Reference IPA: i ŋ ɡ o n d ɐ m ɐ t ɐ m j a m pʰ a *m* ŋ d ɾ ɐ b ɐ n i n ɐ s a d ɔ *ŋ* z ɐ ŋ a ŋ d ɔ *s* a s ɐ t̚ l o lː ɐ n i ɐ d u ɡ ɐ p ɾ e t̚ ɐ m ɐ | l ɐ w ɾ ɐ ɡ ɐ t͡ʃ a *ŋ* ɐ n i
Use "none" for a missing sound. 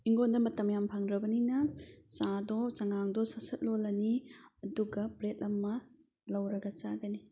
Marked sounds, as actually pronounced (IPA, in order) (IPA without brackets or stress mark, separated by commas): none, none, s, ɡ